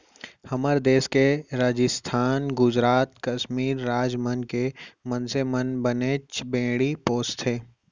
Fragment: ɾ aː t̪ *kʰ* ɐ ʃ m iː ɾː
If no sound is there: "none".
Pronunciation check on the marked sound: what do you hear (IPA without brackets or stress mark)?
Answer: k